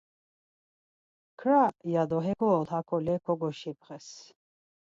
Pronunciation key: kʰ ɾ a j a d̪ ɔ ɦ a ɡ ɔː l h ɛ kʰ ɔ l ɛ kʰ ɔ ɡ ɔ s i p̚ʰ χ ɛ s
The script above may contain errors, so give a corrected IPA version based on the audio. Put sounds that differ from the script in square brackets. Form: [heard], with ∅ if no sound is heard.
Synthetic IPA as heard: kʰ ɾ a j a d̪ ɔ ɦ [ɛ] ɡ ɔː l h [a] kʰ ɔ l ɛ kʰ ɔ ɡ ɔ [ʃ] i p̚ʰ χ ɛ s